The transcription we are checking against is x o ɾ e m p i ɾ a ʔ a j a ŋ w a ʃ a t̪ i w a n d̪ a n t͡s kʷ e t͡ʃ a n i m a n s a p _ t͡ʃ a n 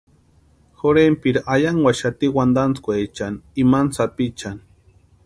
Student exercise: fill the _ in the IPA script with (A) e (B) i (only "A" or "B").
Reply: B